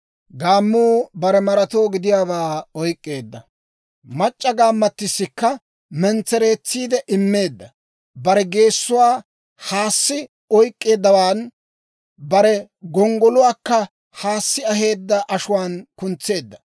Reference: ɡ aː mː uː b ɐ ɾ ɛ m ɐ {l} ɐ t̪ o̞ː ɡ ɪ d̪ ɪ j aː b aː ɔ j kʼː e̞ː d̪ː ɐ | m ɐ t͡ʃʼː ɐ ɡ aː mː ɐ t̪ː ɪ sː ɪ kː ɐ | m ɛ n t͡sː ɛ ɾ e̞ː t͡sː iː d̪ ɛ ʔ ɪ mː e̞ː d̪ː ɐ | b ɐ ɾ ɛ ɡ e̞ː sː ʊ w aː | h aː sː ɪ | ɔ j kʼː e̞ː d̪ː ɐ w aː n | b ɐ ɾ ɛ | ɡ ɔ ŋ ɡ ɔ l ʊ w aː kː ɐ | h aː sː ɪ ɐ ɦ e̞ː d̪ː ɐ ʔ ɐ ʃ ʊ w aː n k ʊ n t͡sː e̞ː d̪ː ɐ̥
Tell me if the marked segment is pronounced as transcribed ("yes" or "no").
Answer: no